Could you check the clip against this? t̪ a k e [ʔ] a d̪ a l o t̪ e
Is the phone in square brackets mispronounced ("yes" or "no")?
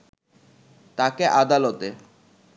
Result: no